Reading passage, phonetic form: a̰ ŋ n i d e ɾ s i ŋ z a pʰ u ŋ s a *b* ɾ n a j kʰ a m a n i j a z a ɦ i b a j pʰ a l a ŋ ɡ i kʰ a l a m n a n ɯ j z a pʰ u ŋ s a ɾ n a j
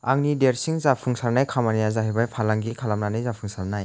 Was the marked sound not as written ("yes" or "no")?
yes